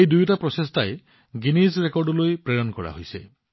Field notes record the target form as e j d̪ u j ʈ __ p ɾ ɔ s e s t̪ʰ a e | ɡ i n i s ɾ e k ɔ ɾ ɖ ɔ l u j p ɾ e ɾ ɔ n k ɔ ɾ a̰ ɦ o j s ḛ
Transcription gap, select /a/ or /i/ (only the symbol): a